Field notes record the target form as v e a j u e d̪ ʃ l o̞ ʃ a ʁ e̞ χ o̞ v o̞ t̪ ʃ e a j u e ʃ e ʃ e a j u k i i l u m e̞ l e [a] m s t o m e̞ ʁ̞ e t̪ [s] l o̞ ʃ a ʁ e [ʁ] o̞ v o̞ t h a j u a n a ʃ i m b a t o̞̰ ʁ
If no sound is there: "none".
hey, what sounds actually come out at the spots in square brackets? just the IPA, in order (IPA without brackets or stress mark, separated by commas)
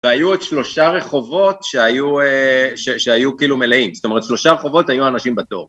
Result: i, ʃ, χ